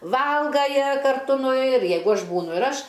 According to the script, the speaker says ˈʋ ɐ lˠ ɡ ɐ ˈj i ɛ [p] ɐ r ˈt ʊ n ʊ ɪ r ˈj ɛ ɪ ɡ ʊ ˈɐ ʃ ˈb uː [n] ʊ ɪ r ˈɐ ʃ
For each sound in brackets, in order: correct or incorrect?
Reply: incorrect: k, correct

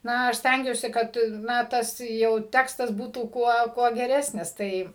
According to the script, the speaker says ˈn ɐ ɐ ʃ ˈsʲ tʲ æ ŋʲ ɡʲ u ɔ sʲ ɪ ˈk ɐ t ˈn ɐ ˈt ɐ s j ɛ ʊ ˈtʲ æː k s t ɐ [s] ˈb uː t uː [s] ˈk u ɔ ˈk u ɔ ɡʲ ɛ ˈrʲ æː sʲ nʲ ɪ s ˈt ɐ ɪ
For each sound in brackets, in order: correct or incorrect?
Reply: correct, incorrect: none

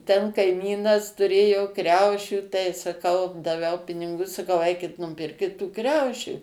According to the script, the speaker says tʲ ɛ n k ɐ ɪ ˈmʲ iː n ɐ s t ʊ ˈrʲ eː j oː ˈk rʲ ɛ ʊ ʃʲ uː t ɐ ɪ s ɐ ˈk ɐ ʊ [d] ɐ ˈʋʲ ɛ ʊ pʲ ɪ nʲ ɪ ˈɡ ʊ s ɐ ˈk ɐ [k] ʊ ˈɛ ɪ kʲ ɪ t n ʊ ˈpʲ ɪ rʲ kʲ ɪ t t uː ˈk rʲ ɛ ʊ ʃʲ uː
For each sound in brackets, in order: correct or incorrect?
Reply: correct, incorrect: none

